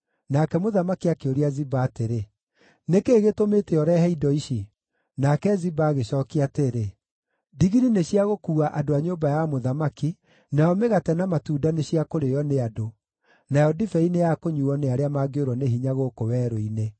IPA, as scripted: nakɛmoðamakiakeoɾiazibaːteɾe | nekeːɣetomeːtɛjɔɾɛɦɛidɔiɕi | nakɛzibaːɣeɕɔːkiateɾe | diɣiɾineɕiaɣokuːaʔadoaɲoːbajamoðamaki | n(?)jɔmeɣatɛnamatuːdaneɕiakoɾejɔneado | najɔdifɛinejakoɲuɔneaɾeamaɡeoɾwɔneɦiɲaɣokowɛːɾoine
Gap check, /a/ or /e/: a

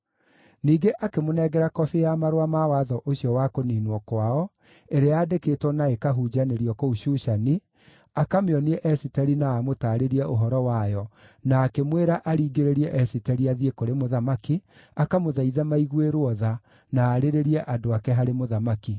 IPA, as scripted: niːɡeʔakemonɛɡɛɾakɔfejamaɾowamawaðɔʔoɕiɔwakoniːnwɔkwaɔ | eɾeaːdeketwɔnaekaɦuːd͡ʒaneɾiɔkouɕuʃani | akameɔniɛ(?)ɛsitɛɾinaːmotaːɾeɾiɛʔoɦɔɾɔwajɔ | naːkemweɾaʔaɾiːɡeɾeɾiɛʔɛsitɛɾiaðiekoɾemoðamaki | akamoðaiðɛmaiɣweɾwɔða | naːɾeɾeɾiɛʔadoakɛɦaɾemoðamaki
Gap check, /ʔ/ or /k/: ʔ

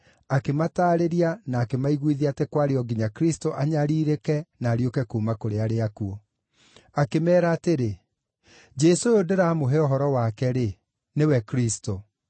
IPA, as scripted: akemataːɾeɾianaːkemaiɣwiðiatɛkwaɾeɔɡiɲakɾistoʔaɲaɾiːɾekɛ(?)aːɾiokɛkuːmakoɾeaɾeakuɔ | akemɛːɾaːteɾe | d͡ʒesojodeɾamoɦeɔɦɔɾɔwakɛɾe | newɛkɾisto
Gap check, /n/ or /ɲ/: n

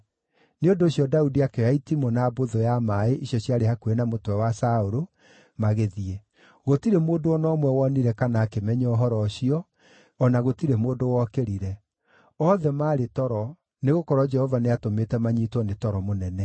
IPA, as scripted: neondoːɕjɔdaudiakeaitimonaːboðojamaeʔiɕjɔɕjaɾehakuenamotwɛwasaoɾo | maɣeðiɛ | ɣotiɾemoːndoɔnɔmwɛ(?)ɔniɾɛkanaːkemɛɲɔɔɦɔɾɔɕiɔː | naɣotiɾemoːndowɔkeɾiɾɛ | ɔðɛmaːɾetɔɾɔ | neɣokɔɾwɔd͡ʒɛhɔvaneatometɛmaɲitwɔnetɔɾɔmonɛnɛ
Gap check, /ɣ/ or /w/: w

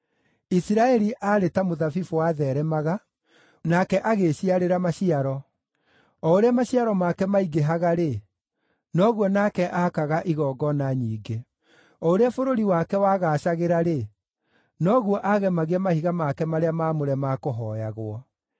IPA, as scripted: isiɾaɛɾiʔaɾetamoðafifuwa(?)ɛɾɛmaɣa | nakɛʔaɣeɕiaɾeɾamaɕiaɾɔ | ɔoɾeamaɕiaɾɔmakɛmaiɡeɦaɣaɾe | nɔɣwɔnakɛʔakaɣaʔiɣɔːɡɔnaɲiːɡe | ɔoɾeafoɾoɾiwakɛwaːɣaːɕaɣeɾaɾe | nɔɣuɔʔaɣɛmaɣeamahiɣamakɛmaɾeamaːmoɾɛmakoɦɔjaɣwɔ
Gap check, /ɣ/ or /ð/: ð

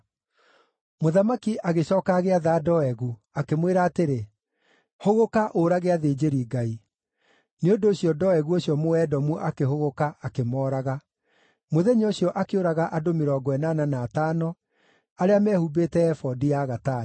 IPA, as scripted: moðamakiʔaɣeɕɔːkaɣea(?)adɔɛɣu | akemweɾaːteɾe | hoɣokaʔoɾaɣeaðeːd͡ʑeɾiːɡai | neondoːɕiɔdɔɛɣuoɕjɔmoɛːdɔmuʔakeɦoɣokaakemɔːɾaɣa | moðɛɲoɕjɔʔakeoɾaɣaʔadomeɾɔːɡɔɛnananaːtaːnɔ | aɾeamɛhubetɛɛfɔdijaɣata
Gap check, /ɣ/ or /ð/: ð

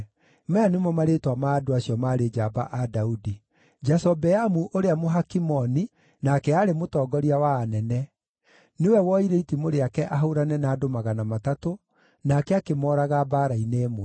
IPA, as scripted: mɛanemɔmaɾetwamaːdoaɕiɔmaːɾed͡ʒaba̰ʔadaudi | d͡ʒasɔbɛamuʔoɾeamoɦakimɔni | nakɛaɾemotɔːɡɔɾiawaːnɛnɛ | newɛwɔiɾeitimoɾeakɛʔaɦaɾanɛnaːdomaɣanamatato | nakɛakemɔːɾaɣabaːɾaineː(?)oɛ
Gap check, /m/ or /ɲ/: m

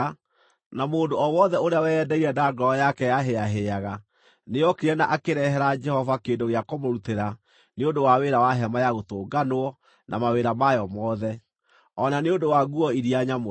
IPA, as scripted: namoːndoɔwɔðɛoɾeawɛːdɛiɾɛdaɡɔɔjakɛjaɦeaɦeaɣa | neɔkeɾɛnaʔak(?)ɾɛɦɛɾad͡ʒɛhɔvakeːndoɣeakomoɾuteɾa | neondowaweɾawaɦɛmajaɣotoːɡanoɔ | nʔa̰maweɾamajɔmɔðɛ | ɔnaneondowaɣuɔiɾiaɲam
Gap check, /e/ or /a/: e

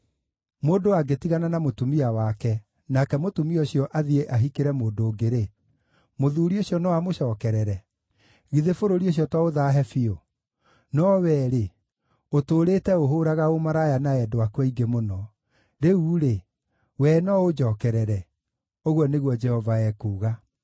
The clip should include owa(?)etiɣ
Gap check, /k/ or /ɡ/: ɡ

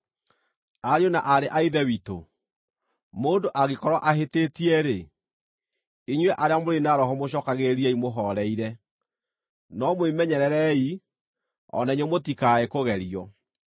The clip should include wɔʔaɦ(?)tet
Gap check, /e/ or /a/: e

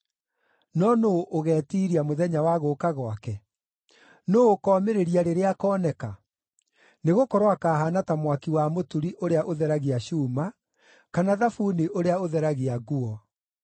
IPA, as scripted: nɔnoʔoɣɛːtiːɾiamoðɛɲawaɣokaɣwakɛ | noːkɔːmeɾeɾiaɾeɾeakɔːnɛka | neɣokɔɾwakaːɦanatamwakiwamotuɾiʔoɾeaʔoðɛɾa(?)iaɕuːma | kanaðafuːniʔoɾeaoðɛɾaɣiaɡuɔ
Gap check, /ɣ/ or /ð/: ɣ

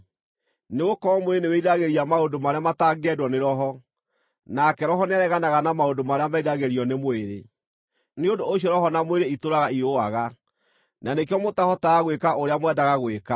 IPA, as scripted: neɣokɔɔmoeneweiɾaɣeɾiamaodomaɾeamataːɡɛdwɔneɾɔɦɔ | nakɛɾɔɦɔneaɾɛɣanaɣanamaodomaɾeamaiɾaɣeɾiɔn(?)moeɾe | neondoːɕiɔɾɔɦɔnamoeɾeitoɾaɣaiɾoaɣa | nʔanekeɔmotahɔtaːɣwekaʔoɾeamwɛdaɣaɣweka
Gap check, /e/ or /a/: e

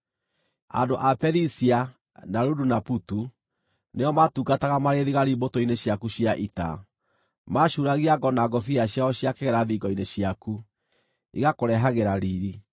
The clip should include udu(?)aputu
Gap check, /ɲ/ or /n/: n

